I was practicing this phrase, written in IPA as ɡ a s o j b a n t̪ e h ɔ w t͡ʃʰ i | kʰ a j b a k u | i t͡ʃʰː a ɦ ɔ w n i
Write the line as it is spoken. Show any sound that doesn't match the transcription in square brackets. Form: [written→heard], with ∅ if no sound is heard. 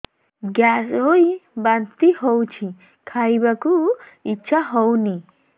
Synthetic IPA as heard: ɡ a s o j b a n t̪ [e→i] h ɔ w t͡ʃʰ i | kʰ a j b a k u | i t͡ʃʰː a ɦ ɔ w n i